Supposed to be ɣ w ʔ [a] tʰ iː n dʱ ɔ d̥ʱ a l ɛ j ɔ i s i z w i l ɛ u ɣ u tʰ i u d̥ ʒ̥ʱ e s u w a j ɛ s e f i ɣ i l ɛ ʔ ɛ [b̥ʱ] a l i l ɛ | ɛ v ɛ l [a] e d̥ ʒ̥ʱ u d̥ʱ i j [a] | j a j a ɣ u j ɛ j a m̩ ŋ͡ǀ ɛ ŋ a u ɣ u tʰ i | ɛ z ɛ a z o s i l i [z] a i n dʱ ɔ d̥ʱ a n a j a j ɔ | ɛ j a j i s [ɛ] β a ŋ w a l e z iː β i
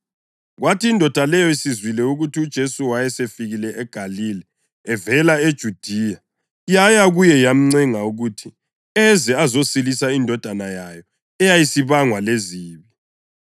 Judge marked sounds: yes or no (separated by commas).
yes, no, yes, yes, no, no